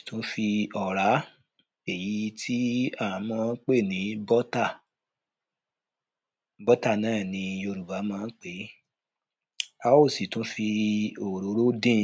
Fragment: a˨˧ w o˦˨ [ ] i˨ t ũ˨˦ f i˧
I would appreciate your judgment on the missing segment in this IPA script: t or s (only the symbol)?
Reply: s